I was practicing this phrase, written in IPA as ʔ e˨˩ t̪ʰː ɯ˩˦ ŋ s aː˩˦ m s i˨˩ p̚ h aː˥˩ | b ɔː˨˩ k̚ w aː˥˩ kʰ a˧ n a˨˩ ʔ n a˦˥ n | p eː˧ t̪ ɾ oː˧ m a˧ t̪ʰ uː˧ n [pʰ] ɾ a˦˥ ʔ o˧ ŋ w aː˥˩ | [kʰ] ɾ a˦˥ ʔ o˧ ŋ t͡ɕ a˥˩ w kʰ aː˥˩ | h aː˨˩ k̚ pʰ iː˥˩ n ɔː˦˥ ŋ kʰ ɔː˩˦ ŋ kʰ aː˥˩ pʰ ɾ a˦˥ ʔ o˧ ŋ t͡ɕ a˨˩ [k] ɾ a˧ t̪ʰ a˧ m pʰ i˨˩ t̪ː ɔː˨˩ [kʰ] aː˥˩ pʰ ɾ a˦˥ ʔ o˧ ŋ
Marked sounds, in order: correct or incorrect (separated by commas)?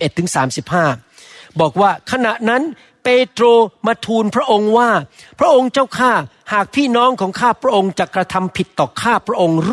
correct, incorrect, correct, correct